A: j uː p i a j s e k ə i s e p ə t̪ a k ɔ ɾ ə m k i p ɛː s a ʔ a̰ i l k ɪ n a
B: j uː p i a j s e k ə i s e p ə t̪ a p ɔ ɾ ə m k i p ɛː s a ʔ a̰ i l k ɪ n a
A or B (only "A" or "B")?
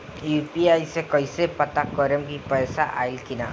A